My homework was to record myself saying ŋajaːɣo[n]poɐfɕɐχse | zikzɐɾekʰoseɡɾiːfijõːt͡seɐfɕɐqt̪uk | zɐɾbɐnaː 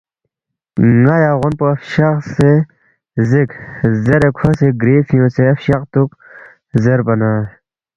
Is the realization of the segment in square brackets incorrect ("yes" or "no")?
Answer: no